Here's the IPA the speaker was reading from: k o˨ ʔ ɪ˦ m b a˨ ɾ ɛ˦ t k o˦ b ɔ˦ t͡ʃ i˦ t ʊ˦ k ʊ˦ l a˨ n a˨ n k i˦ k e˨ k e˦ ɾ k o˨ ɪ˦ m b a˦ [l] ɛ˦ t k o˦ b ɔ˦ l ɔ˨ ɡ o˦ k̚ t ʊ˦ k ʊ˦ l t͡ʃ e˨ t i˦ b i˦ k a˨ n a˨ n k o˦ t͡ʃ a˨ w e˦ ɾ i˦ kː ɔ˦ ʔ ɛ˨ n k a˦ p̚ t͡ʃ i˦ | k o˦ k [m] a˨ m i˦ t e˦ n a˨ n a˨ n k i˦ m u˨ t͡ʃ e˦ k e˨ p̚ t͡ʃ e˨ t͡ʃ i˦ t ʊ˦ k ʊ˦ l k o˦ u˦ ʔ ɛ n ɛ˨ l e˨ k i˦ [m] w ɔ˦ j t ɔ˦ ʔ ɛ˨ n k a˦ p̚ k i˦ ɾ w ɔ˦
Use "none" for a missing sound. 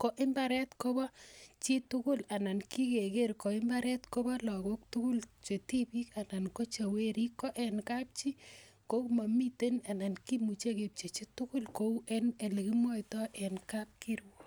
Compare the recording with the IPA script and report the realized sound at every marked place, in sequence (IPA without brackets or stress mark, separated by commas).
ɾ, m, m